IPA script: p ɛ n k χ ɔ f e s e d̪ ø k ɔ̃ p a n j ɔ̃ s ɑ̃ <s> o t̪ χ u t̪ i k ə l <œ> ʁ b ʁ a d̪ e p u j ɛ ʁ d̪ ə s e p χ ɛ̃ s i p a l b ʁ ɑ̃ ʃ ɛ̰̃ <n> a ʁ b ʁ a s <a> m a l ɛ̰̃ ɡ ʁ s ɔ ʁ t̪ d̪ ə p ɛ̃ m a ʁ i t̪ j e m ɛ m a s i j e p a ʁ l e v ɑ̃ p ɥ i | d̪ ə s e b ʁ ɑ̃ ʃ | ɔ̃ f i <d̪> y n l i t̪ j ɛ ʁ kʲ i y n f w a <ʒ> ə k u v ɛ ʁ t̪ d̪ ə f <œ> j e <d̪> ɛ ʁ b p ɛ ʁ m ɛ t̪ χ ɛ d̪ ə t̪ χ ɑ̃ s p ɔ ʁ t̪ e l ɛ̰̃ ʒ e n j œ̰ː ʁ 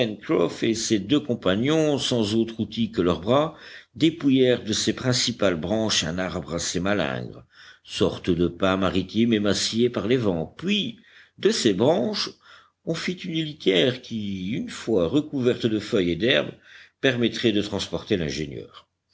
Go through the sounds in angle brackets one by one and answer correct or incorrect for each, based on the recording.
incorrect: z, correct, correct, incorrect: e, incorrect: t̪, incorrect: ʁ, correct, correct

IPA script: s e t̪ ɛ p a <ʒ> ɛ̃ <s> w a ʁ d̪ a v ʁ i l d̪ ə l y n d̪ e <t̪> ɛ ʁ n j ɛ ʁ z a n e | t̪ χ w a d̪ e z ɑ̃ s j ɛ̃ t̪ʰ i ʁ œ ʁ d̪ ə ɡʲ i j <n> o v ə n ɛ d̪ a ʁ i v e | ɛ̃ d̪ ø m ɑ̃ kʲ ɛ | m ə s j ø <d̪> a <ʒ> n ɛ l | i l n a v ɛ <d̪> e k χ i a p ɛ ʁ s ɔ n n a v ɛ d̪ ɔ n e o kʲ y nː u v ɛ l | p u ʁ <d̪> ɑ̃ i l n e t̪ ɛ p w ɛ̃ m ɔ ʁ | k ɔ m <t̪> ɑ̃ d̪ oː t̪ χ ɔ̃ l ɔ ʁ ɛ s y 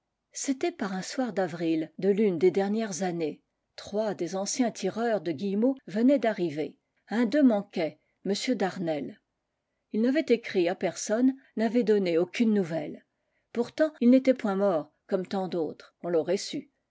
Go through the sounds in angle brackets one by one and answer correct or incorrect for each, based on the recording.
incorrect: ʁ, correct, incorrect: d̪, incorrect: m, correct, incorrect: ʁ, incorrect: t̪, incorrect: t̪, correct

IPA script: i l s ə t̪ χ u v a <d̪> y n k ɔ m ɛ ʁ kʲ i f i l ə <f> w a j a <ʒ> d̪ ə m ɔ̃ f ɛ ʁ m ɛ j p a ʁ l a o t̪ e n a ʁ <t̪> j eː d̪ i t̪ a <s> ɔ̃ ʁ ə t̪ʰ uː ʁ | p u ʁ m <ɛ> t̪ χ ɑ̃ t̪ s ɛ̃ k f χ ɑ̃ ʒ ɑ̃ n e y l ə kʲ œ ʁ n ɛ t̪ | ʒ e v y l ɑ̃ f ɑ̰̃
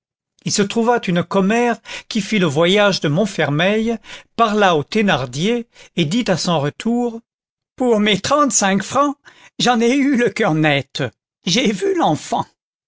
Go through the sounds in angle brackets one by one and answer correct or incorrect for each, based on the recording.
incorrect: t̪, incorrect: v, correct, incorrect: d̪, correct, incorrect: e

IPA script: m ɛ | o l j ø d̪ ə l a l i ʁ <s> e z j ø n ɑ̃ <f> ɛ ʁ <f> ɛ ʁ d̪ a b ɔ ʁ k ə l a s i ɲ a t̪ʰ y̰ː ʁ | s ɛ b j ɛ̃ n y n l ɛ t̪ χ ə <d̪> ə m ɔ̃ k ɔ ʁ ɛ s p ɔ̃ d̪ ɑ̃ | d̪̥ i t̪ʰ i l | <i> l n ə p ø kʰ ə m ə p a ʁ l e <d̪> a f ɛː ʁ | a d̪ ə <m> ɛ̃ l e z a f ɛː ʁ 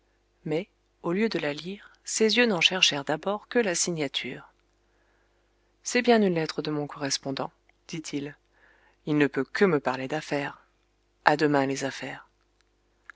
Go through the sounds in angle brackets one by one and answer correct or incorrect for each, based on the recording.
correct, incorrect: ʃ, incorrect: ʃ, correct, correct, correct, correct

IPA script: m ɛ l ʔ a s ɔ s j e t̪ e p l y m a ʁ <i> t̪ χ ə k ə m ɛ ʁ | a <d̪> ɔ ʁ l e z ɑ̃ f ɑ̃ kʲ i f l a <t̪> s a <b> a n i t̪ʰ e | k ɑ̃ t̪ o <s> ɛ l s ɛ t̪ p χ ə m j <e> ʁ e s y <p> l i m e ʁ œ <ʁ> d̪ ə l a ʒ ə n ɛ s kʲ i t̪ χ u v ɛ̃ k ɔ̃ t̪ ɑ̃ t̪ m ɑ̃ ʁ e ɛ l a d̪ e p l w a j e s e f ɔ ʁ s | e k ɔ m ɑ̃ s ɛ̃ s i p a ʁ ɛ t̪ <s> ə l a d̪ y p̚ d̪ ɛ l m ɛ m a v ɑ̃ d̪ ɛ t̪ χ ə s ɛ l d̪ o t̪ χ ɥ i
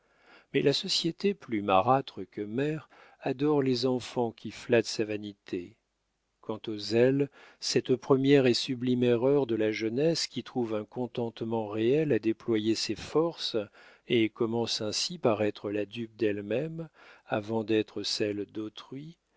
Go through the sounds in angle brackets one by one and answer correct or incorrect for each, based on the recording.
incorrect: a, correct, correct, incorrect: v, incorrect: z, incorrect: ɛ, incorrect: b, correct, incorrect: χ

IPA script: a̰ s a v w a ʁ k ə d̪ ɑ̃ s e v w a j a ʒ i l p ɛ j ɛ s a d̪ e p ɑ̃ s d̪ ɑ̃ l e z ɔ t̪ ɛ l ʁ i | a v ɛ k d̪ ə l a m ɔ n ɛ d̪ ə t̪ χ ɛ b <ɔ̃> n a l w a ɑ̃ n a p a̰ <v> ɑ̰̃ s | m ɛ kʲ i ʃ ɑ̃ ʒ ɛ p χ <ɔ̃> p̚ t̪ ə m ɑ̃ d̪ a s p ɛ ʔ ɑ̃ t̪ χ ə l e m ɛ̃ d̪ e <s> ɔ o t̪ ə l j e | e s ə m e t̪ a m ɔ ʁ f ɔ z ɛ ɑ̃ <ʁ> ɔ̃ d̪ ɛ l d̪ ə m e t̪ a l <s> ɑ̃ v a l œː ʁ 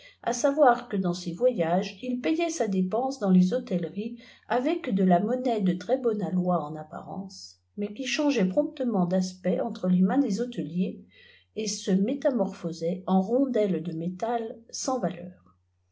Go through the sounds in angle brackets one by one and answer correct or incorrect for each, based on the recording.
incorrect: ɔ, incorrect: ʁ, correct, incorrect: z, correct, correct

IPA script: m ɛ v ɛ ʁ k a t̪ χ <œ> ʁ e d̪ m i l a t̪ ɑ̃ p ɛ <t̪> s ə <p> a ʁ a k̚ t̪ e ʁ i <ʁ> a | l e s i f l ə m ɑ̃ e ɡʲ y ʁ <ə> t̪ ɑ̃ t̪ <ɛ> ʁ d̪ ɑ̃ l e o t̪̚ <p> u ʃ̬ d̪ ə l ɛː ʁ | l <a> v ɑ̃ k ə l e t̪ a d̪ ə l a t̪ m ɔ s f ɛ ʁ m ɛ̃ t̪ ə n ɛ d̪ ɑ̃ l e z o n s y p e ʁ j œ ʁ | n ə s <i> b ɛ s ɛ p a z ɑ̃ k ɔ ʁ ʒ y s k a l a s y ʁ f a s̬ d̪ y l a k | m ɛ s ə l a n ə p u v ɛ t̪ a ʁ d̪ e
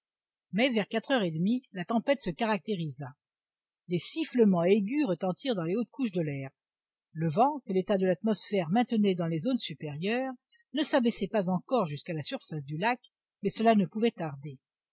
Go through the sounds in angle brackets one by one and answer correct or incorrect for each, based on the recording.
correct, correct, incorrect: k, incorrect: z, correct, incorrect: i, incorrect: k, incorrect: ə, incorrect: a

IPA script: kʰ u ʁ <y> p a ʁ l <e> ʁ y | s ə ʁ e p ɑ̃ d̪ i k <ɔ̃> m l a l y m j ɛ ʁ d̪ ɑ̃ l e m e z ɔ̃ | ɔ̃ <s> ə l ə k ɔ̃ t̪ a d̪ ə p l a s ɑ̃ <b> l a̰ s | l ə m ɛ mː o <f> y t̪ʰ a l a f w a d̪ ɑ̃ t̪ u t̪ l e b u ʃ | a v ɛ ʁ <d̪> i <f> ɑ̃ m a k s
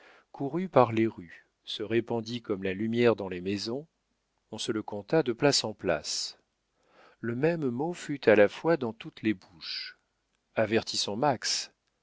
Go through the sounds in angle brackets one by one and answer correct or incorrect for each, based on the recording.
correct, correct, incorrect: ɔ, correct, incorrect: p, correct, incorrect: t̪, incorrect: s

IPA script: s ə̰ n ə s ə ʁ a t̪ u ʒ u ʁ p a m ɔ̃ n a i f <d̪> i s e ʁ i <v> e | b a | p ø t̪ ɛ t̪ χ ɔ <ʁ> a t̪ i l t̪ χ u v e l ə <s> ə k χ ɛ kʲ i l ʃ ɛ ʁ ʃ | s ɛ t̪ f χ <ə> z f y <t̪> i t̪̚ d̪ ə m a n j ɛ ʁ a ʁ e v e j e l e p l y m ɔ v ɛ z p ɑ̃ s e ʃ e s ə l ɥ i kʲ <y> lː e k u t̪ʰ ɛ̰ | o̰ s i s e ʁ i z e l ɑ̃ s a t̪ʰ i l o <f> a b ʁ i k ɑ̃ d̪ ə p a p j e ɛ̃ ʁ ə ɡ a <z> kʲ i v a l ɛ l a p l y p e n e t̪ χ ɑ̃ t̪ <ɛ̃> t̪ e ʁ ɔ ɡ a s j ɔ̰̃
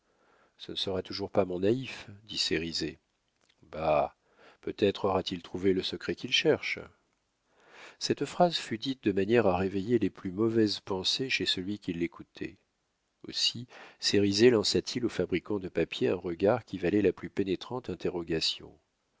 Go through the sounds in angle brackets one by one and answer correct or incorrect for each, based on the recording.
correct, incorrect: z, correct, correct, incorrect: a, incorrect: d̪, incorrect: i, correct, incorrect: ʁ, correct

